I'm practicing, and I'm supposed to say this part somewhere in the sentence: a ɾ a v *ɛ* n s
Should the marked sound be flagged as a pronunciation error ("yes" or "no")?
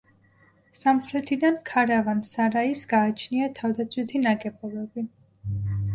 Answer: yes